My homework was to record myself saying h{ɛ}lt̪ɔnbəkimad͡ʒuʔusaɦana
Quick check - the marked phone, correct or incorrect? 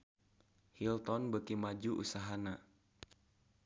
incorrect